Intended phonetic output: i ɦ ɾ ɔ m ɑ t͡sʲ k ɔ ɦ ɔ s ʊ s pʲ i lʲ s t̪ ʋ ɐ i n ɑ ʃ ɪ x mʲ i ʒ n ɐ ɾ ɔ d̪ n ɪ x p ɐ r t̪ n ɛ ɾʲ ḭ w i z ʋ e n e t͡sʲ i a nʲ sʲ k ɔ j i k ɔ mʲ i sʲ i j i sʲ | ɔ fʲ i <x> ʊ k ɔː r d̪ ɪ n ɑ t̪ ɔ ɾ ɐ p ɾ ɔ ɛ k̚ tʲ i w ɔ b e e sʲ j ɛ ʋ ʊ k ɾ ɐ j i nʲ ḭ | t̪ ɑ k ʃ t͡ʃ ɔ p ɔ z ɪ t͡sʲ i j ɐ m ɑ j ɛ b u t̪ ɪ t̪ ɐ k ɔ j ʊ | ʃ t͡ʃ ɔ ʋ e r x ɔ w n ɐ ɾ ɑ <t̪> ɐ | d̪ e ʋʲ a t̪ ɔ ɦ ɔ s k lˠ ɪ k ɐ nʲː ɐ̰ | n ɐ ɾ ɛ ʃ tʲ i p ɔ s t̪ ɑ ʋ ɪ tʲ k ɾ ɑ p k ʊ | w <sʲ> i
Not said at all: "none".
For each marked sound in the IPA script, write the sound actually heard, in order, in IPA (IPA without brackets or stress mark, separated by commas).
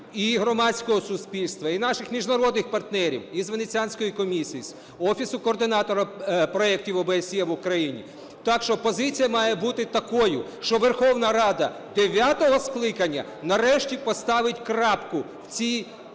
s, d̪, t͡sʲ